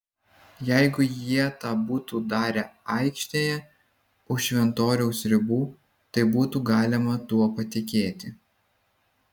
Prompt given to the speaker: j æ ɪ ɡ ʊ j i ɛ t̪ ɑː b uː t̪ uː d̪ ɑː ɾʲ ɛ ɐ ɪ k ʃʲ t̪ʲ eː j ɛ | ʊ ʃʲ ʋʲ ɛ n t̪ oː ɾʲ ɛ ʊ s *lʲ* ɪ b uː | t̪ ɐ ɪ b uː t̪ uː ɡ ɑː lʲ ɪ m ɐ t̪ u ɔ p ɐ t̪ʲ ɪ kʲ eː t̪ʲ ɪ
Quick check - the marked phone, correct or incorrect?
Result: incorrect